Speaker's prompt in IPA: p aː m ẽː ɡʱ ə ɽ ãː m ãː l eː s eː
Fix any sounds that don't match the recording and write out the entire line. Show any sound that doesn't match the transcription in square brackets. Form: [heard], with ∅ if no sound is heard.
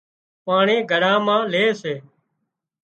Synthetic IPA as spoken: p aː [ɳ] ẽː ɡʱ ə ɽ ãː m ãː l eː s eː